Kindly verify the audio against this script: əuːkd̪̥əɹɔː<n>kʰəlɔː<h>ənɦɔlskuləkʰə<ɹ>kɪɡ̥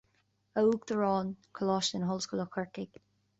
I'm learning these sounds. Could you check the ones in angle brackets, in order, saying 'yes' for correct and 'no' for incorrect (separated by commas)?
yes, no, yes